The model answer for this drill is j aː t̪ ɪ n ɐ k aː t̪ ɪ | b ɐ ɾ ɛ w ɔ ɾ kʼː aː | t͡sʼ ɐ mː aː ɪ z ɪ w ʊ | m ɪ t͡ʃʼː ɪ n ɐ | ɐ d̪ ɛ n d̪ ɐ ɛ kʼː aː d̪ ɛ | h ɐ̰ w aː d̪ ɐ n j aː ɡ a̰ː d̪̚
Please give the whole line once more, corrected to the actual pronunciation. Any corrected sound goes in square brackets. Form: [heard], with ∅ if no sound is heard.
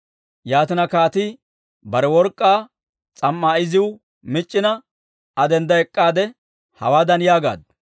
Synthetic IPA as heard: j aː t̪ ɪ n ɐ k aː t̪ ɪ | b ɐ ɾ ɛ w ɔ ɾ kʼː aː | t͡sʼ ɐ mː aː ɪ z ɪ w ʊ | m ɪ t͡ʃʼː ɪ n ɐ | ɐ d̪ ɛ n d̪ ɐ ɛ kʼː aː d̪ ɛ | h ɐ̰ w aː d̪ ɐ n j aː ɡ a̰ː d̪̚